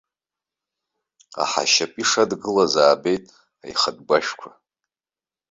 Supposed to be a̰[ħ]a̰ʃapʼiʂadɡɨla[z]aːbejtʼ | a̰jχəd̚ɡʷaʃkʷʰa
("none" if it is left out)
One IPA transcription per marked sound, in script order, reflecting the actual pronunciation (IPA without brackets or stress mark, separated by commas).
ħ, z